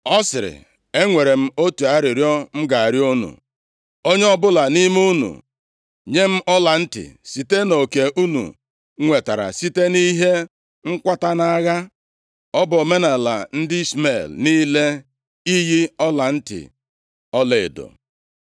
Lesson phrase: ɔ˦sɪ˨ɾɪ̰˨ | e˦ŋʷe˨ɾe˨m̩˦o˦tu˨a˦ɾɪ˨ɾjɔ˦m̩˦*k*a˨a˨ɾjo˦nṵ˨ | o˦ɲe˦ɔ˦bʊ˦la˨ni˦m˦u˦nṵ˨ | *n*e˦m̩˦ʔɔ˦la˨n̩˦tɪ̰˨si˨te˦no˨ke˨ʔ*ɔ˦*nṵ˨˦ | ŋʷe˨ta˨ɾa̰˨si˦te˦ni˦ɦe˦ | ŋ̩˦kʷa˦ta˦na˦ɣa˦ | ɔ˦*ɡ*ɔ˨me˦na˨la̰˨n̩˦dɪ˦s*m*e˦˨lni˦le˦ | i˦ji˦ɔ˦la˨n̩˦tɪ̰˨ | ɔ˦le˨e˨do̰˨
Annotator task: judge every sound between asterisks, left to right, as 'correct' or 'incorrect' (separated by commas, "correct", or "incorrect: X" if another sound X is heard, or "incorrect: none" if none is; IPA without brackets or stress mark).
incorrect: ɡ, incorrect: ɲ, incorrect: u˦, incorrect: b, correct